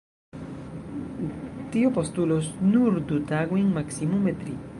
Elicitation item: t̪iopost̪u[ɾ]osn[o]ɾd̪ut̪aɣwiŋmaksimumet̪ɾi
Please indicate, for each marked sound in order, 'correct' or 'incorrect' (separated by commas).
incorrect, incorrect